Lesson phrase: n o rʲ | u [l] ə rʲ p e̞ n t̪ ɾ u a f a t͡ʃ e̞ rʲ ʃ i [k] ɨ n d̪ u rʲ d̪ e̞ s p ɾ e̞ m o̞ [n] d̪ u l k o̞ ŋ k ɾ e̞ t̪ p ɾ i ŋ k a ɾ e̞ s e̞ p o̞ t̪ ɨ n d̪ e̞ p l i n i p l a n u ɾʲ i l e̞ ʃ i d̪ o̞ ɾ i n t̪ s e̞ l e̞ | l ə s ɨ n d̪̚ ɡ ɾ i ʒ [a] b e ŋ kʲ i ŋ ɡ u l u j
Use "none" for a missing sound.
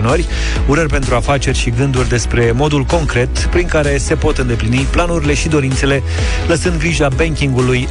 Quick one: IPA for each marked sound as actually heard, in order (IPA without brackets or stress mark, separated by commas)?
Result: ɾ, ɡ, none, a